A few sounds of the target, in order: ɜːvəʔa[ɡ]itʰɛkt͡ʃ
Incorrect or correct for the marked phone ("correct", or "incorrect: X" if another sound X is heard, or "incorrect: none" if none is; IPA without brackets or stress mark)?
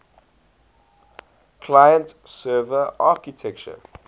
incorrect: k